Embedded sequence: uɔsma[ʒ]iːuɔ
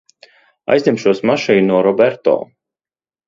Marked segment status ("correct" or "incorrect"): incorrect